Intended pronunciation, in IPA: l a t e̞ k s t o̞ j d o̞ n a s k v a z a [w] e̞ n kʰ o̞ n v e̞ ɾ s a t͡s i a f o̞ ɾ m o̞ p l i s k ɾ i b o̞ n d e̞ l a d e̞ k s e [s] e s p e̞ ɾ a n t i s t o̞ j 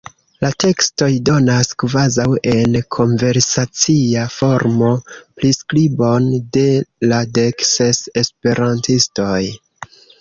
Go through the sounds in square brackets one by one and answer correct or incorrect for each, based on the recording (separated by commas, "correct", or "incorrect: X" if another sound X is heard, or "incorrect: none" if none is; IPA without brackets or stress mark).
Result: correct, correct